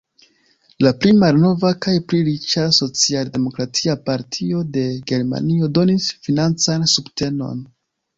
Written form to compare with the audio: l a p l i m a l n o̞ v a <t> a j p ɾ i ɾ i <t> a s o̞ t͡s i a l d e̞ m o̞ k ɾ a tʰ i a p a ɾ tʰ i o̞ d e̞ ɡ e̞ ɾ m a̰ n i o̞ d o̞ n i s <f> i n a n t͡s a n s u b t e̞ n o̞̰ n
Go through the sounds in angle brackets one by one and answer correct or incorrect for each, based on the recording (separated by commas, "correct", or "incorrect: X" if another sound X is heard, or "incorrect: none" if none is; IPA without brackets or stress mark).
incorrect: k, incorrect: t͡ʃ, correct